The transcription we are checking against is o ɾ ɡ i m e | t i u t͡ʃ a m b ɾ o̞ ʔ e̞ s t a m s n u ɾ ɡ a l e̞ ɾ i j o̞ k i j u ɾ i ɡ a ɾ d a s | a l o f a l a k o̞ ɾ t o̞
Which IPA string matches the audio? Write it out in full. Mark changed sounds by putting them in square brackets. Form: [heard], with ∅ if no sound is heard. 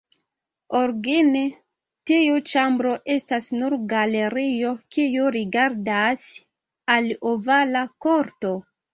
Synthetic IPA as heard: o ɾ ɡ i [n] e | t i u t͡ʃ a m b ɾ o̞ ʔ e̞ s t a [∅] s n u ɾ ɡ a l e̞ ɾ i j o̞ k i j u ɾ i ɡ a ɾ d a s | a l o [v] a l a k o̞ ɾ t o̞